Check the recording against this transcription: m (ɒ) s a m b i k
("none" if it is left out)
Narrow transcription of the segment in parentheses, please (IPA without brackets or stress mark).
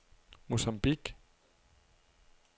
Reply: u